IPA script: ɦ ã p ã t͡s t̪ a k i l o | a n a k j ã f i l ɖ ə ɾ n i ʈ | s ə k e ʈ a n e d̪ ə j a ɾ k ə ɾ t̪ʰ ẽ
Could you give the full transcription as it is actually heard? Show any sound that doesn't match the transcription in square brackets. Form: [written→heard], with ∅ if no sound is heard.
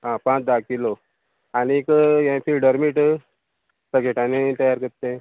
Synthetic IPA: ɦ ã p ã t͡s [t̪→d̪] a k i l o | a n [a→i] k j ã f i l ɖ ə ɾ [n→m] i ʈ | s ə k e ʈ a n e [d̪→t̪] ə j a ɾ k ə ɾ [t̪ʰ→t̪] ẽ